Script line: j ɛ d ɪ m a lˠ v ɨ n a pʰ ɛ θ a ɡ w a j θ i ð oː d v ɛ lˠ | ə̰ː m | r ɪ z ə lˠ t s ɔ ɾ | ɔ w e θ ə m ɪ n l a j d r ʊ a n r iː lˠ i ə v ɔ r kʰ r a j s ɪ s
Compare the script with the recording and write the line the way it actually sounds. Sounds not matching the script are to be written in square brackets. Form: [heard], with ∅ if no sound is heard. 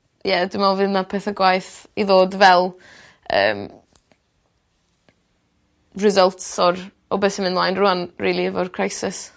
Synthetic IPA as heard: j ɛ d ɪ m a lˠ v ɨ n a pʰ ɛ θ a ɡ w a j θ i ð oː d v ɛ lˠ | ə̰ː m | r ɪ z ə lˠ t s ɔ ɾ | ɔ [b] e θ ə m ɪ n l a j [n] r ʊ a n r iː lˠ i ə v ɔ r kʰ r a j s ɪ s